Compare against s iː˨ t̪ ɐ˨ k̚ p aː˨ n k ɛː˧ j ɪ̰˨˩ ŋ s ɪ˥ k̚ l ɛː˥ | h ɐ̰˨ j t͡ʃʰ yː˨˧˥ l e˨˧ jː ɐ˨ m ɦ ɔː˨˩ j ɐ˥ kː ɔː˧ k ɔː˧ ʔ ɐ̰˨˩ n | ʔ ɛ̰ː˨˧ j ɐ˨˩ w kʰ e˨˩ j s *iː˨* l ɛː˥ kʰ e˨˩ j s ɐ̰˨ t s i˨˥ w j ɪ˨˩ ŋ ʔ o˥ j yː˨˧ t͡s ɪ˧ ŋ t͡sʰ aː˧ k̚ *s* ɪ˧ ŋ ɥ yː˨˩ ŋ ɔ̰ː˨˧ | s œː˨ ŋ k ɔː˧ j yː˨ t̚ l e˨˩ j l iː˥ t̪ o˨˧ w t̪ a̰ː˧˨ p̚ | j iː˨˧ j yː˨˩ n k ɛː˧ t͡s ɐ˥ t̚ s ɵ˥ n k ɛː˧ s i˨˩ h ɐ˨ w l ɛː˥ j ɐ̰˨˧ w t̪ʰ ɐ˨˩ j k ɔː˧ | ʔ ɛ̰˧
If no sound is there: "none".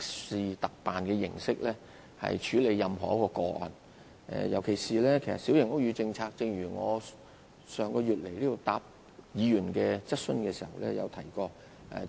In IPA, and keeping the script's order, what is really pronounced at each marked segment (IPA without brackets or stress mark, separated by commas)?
iː˨, t͡s